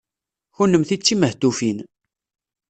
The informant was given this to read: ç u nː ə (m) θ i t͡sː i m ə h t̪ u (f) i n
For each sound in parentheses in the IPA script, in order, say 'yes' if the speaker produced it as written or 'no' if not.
yes, yes

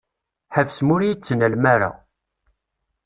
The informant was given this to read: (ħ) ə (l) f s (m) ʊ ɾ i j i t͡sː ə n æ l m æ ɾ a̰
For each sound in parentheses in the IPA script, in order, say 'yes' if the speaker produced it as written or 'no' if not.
yes, no, yes

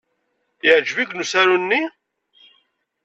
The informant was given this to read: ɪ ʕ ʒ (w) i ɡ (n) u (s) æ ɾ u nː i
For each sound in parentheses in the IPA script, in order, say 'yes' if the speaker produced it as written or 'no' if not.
no, yes, yes

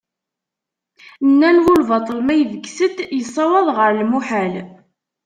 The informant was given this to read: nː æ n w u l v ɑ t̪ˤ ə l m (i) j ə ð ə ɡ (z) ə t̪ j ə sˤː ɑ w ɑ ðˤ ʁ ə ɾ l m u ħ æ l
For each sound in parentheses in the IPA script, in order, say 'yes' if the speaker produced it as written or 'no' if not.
no, no

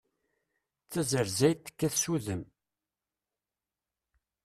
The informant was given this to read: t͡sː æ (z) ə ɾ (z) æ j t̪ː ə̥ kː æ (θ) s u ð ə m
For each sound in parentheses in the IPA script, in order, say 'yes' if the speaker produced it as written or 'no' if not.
yes, yes, yes

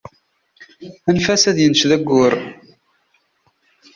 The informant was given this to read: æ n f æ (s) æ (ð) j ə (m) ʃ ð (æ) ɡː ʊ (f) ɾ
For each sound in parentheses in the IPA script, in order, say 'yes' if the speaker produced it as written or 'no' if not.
yes, yes, no, yes, no

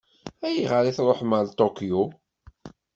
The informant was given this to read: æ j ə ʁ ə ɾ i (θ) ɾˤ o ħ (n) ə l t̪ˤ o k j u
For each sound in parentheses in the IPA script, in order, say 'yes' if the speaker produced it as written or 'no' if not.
yes, no

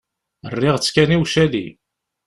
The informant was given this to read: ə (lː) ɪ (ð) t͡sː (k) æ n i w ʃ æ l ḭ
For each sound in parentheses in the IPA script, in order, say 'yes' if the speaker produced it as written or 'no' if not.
no, no, yes

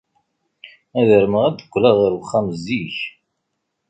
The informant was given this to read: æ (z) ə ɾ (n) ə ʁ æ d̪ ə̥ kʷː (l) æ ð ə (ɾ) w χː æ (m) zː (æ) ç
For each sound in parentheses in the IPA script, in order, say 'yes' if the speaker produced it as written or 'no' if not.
no, no, yes, yes, yes, no

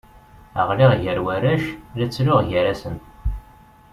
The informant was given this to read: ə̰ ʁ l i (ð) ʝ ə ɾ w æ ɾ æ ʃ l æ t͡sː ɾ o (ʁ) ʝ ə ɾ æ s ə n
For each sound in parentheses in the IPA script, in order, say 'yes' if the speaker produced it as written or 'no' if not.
no, yes

